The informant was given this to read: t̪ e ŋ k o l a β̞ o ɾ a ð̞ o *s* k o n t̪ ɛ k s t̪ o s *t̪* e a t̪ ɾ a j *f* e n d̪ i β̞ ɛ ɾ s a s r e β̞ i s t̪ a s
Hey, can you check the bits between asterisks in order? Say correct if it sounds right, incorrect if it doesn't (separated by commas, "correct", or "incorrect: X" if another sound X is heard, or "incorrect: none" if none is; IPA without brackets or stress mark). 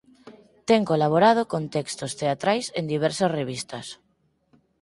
incorrect: none, correct, incorrect: s